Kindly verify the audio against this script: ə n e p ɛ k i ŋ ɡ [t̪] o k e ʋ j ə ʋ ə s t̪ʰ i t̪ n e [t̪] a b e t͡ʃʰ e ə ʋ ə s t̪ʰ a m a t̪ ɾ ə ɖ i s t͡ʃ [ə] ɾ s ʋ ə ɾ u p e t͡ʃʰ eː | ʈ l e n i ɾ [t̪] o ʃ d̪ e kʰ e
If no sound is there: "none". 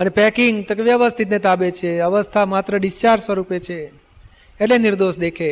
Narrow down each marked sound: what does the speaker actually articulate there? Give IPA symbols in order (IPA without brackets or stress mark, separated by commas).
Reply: t̪, t̪, a, d̪